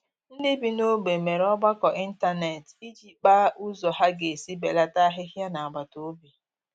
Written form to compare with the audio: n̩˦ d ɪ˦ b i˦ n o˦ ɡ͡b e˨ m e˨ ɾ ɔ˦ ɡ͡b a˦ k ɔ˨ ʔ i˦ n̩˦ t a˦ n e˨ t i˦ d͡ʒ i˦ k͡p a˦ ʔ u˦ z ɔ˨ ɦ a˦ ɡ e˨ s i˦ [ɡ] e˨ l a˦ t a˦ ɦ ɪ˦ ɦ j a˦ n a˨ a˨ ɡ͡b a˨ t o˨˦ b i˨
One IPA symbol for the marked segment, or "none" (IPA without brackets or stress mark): b